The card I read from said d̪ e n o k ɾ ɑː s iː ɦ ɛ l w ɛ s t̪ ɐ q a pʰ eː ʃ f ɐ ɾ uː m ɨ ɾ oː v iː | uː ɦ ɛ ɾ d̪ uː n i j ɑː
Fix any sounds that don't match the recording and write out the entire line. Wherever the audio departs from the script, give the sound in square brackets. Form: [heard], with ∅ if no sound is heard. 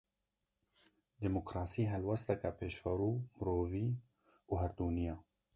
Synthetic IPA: d̪ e [m] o k ɾ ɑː s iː ɦ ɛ l w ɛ s t̪ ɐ [k] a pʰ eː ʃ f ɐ ɾ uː m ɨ ɾ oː v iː | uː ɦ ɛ ɾ d̪ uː n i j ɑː